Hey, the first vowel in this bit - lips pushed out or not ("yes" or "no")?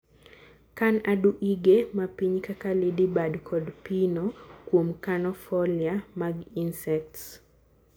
no